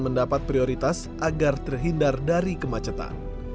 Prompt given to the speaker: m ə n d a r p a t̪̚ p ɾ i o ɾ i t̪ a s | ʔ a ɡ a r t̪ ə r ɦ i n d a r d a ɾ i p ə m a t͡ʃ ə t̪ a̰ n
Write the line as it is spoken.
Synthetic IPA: m ə n d a p a t̪̚ p ɾ i o ɾ i t̪ a s | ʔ a ɡ a r t̪ ə r ɦ i n d a r d a ɾ i k ə m a t͡ʃ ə t̪ a̰ n